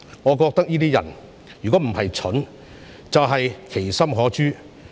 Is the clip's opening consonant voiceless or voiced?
voiced